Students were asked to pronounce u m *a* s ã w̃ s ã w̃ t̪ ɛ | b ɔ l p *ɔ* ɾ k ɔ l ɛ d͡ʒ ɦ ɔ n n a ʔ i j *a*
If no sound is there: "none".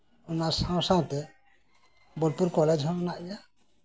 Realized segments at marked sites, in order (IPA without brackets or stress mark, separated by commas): a, u, a